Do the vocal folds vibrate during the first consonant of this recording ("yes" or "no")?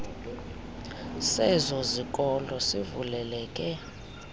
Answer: no